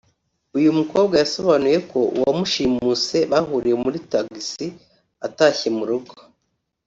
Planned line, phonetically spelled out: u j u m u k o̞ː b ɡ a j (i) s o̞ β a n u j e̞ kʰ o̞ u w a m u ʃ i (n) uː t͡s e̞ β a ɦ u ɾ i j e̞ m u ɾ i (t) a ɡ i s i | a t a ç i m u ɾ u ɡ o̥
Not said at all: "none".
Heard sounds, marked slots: a, m, t

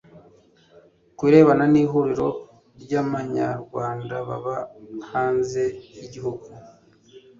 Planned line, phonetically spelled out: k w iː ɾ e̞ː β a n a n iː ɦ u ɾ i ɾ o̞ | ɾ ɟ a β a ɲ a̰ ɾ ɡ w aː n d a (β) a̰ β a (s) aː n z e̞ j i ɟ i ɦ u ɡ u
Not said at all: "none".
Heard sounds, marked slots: β, h

